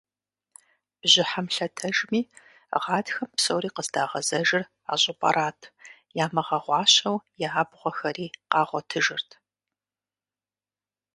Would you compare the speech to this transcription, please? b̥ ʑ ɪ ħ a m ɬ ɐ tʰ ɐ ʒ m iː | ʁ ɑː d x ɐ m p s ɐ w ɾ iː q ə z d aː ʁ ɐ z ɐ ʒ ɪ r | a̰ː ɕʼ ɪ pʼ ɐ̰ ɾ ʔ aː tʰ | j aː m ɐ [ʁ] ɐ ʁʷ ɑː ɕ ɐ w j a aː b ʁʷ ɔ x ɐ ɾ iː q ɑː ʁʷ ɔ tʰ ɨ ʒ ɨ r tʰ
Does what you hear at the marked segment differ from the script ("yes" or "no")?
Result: no